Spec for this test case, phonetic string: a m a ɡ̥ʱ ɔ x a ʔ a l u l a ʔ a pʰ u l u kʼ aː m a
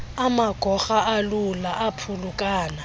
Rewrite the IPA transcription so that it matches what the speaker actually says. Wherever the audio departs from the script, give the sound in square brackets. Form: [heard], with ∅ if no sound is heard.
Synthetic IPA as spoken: a m a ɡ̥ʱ ɔ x a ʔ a l u l a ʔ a pʰ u l u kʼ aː [n] a